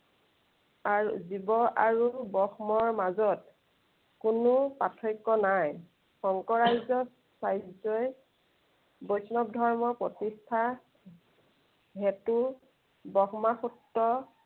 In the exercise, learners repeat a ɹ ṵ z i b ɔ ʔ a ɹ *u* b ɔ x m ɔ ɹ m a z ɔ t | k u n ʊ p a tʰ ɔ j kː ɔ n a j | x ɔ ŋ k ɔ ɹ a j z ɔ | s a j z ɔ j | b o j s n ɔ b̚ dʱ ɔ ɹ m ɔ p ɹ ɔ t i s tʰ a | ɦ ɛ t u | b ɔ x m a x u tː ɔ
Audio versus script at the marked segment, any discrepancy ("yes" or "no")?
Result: no